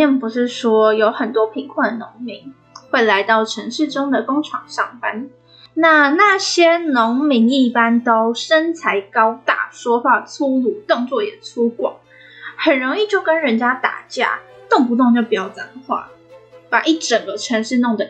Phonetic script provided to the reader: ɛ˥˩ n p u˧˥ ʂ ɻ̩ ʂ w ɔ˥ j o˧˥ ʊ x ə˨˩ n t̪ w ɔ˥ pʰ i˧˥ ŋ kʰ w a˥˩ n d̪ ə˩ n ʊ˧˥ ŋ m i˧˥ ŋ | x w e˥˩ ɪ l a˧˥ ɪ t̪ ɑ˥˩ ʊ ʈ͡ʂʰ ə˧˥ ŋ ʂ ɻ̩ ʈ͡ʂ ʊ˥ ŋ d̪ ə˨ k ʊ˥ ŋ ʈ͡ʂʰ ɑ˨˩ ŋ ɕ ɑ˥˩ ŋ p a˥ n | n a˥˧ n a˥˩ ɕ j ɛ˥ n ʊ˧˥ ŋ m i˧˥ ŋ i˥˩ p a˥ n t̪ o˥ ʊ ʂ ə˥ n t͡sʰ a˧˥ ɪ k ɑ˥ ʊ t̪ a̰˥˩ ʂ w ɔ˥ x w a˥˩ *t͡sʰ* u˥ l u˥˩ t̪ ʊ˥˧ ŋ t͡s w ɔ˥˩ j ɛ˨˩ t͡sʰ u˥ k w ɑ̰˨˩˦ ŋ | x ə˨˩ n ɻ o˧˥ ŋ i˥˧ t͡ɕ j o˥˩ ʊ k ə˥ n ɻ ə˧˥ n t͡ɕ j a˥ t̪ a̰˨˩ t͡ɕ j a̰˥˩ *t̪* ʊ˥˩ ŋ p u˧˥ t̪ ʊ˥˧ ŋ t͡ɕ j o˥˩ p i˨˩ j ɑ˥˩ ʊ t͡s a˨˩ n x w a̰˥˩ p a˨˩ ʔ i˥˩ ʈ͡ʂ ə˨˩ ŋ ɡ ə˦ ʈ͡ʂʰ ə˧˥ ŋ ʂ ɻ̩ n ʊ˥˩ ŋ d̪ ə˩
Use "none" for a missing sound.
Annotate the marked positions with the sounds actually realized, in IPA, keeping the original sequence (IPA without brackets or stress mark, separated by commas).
t͡sʰ, t̪